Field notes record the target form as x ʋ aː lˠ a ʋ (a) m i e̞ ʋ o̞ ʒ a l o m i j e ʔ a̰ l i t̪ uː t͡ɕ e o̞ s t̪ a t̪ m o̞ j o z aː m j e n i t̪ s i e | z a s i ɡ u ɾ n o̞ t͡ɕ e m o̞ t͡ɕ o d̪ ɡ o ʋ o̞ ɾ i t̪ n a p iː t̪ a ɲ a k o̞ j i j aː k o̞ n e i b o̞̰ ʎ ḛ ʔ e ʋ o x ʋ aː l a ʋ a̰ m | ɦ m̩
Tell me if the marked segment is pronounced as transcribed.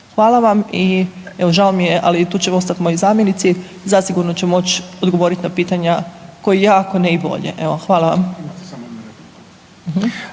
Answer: yes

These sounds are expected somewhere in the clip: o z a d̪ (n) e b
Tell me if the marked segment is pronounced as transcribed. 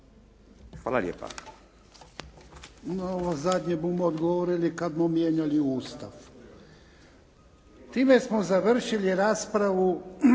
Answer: no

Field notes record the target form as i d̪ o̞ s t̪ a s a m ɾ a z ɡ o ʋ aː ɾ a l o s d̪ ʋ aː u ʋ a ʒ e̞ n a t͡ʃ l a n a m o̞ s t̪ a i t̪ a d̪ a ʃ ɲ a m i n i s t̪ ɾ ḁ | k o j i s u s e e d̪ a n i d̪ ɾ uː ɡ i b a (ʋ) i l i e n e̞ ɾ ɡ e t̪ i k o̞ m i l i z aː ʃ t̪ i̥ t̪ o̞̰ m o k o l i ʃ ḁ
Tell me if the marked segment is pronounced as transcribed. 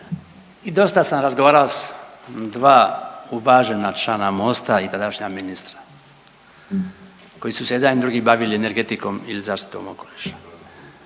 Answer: yes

